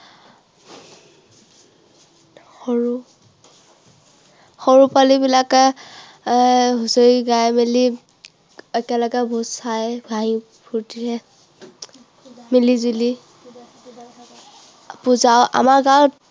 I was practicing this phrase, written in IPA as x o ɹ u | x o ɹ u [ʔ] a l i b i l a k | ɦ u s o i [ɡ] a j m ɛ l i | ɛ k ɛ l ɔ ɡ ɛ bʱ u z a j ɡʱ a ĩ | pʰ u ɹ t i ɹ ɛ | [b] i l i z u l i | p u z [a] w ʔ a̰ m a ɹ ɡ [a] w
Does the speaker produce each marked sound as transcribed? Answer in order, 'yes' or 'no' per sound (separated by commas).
no, yes, no, yes, yes